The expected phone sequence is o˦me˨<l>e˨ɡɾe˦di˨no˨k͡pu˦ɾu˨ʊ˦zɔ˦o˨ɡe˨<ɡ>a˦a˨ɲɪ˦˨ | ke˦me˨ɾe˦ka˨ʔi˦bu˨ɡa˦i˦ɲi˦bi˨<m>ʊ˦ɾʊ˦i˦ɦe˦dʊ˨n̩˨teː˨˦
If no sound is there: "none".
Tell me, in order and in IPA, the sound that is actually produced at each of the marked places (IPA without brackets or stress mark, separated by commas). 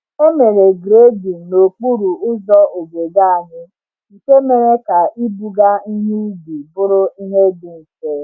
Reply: ɾ, ɡ, b